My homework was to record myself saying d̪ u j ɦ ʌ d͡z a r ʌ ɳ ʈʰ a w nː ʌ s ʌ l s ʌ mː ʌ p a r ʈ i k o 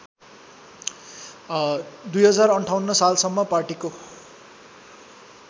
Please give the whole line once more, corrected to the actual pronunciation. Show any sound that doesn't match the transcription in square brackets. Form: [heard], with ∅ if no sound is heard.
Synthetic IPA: d̪ u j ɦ ʌ d͡z a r ʌ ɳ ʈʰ a w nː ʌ s [a] l s ʌ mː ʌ p a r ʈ i k o

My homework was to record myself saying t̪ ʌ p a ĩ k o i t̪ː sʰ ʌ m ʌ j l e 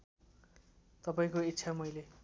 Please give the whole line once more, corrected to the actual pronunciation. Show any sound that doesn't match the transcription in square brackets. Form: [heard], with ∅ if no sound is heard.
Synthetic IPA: t̪ ʌ p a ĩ k o i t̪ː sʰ [a] m ʌ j l e

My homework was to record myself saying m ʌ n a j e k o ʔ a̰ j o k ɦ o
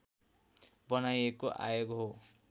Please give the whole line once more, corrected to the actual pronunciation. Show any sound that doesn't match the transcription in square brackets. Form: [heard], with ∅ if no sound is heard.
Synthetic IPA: [b] ʌ n a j e k o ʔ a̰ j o [ɡ] ɦ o

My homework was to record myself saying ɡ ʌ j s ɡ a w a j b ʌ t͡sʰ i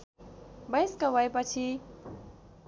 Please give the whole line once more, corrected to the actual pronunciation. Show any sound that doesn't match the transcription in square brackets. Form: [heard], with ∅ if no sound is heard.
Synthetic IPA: [b] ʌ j s [k] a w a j [p] ʌ t͡sʰ i

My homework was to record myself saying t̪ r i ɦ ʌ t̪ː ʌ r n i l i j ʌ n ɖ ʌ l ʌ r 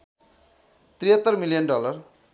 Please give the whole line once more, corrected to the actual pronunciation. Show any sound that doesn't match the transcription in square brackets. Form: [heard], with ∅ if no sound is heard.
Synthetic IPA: t̪ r i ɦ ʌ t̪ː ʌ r [m] i l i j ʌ n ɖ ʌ l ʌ r

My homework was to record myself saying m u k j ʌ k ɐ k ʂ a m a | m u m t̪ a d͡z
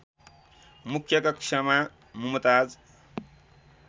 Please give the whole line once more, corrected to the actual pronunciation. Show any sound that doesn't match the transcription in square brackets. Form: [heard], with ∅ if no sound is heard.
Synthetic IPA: m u [kʰ] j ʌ k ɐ k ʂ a m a | m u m t̪ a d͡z

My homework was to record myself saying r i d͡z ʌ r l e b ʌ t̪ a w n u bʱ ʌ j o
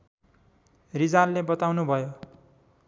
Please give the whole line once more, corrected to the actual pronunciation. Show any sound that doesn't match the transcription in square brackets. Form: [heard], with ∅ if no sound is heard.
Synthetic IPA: r i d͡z [a] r l e b ʌ t̪ a w n u bʱ ʌ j o

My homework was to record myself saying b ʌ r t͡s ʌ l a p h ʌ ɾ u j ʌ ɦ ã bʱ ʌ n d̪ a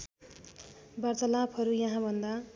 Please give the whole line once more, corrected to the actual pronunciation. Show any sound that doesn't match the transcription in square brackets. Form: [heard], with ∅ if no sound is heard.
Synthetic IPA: b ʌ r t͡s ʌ l a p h ʌ ɾ u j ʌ ɦ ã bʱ ʌ n d̪ a

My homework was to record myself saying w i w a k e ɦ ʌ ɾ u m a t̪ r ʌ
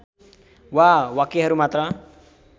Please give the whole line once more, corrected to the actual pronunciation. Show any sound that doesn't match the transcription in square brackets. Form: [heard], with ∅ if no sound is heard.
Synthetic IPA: w [a] w a k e ɦ ʌ ɾ u m a t̪ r ʌ

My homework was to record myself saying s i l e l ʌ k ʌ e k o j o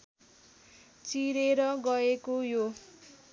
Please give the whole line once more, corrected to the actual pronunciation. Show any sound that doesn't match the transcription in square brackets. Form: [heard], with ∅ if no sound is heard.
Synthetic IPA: [t͡s] i [ɾ] e [ɾ] ʌ [ɡ] ʌ e k o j o

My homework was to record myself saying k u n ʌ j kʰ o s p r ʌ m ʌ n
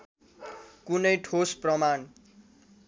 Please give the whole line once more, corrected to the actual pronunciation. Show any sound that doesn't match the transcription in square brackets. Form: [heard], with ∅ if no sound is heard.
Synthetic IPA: k u n ʌ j [ʈʰ] o s p r ʌ m [a] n

